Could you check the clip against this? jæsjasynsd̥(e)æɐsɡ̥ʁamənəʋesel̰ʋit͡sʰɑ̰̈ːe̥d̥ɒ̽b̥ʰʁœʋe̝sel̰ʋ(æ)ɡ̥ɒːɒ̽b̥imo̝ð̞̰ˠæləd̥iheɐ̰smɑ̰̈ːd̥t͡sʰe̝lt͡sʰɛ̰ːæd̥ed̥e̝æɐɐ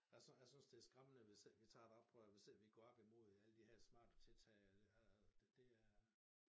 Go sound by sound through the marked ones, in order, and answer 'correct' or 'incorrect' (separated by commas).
correct, incorrect